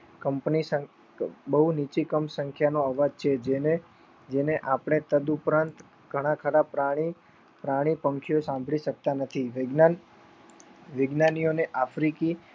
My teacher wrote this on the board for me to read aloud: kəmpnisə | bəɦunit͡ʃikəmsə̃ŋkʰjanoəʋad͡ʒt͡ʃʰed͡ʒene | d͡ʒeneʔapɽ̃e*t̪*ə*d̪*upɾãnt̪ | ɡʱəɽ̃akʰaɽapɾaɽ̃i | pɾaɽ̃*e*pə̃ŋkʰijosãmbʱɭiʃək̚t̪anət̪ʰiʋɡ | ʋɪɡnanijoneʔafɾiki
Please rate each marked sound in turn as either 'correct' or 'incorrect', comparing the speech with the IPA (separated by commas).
correct, correct, incorrect